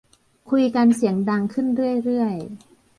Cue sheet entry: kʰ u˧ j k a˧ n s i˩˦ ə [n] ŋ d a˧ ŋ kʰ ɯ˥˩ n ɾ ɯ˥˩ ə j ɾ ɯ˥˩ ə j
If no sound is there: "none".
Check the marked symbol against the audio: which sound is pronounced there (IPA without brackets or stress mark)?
none